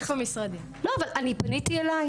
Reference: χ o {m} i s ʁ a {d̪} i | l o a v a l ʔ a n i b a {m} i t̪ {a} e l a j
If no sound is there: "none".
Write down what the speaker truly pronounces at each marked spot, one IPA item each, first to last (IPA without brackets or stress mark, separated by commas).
m, d̪, n, i